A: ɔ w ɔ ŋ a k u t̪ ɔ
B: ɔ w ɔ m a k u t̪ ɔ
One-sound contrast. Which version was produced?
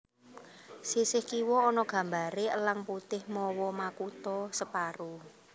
B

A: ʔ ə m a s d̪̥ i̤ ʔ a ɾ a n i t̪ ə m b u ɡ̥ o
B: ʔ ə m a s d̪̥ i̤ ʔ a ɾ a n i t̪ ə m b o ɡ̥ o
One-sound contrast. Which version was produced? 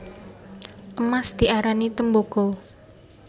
B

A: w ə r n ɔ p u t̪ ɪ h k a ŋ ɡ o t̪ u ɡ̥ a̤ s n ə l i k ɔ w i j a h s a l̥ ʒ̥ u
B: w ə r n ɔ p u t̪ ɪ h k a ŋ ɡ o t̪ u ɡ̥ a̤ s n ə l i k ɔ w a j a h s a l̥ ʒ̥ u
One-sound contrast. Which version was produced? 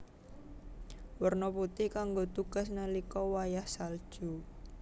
B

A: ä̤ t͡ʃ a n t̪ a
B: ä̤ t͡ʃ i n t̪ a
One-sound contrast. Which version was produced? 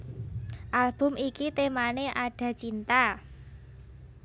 B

